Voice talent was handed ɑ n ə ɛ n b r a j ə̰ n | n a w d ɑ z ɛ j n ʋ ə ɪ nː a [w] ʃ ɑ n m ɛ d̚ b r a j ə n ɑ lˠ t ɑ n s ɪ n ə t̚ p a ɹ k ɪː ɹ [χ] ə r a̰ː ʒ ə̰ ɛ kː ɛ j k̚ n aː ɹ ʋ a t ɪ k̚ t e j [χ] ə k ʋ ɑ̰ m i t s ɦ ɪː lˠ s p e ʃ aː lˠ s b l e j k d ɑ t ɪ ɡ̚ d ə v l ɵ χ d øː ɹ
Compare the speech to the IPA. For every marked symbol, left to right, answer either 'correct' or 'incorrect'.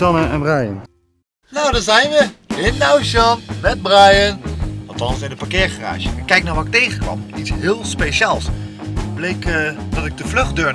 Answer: correct, correct, correct

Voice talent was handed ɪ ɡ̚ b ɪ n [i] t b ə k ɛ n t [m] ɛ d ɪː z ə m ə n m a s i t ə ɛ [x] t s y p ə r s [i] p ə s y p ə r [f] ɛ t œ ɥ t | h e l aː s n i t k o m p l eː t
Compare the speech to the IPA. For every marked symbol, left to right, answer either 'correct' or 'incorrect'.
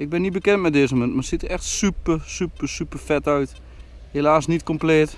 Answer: correct, correct, correct, incorrect: y, correct

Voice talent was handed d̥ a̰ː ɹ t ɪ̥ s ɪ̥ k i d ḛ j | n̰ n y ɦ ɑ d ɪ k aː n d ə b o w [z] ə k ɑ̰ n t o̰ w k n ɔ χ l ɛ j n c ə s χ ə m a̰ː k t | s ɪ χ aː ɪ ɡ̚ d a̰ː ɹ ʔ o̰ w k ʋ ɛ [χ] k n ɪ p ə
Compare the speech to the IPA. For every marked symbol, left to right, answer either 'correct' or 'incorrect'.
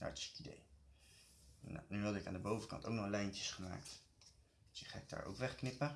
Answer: incorrect: v, correct

